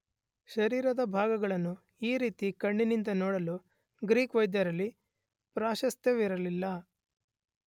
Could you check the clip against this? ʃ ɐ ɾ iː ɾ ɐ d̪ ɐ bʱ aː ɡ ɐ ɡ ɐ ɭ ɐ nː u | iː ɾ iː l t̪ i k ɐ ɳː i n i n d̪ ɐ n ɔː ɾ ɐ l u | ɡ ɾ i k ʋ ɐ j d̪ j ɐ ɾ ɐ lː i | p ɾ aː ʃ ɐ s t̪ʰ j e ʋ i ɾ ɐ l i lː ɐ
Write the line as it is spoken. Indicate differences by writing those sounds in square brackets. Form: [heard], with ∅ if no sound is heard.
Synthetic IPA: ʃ ɐ ɾ iː ɾ ɐ d̪ ɐ bʱ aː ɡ ɐ ɡ ɐ ɭ ɐ nː u | iː ɾ iː [∅] t̪ i k ɐ ɳː i n i n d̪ ɐ n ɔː [ɽ] ɐ l u | ɡ ɾ [iː] k ʋ ɐ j d̪ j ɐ ɾ ɐ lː i | p ɾ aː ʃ ɐ s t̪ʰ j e ʋ i ɾ ɐ l i lː ɐ